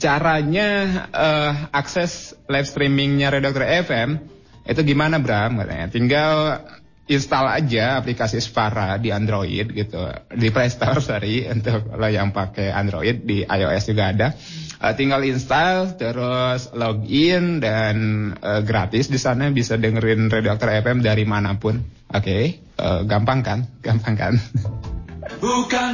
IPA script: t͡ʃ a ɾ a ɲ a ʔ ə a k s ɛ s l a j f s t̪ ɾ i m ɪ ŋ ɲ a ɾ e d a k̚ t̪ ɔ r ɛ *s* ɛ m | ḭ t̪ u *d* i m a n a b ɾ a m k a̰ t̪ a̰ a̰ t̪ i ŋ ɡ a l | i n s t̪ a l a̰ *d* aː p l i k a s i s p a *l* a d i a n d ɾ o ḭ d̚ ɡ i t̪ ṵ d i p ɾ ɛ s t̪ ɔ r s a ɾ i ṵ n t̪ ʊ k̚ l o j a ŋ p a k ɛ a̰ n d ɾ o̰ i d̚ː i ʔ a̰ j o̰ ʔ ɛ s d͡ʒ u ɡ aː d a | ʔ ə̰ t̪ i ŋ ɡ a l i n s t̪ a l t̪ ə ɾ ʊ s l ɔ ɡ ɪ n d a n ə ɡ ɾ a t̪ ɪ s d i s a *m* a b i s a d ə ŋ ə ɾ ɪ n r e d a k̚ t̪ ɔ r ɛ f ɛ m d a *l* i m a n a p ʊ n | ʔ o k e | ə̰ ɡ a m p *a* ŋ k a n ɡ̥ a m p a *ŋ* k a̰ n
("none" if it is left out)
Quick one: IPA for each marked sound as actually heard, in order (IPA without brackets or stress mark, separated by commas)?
f, ɡ, d͡ʒ, ɾ, n, ɾ, a, ŋ